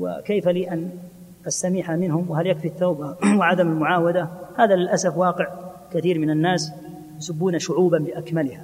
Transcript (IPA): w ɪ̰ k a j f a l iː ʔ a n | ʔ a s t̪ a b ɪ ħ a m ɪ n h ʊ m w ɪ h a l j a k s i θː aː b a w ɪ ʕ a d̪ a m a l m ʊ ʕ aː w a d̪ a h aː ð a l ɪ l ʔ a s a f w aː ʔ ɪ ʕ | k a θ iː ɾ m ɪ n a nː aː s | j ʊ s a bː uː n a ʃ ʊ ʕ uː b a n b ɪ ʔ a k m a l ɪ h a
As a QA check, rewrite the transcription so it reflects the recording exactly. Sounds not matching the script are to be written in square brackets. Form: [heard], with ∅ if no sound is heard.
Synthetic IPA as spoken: w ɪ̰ k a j f a l iː ʔ a n | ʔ a s t̪ a [m] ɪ ħ a m ɪ n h ʊ m w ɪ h a l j a k [f] i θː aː b a w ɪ ʕ a d̪ a m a l m ʊ ʕ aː w a d̪ a h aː ð a l ɪ l ʔ a s a f w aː [q] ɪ ʕ | k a θ iː ɾ m ɪ n a nː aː s | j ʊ s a bː uː n a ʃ ʊ ʕ uː b a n b ɪ ʔ a k m a l ɪ h a